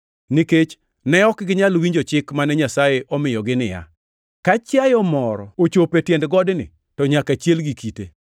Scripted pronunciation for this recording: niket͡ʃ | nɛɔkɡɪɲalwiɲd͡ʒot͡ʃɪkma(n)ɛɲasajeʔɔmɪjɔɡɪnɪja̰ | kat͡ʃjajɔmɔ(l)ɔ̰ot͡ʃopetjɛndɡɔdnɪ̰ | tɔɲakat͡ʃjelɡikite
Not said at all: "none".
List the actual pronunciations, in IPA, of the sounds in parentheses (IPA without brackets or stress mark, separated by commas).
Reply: n, ɾ